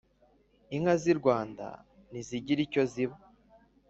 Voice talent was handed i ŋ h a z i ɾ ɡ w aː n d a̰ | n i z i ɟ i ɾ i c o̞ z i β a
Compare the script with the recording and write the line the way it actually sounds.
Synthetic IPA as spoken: i ŋ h a z i ɾ ɡ w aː n d a̰ | n i z i ɟ i ɾ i c o̞ z i β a